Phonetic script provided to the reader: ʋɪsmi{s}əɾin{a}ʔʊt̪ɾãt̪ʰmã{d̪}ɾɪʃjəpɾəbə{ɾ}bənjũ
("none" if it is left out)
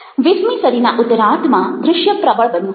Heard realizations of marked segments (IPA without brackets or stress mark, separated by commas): s, a, d̪, ɭ